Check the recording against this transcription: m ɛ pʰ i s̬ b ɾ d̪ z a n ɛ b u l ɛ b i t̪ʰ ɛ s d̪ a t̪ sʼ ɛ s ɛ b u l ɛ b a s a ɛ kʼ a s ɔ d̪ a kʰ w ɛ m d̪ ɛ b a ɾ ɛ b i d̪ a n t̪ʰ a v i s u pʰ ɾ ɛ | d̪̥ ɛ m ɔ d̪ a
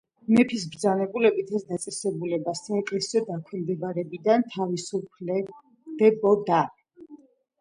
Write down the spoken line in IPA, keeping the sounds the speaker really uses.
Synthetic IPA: m ɛ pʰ i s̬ b ɾ d̪ z a n ɛ b u l ɛ b i t̪ʰ ɛ s d̪ a t̪ sʼ ɛ s ɛ b u l ɛ b a s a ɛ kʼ ɛ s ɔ d̪ a kʰ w ɛ m d̪ ɛ b a ɾ ɛ b i d̪ a n t̪ʰ a v i s u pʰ l ɛ | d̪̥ ɛ b ɔ d̪ a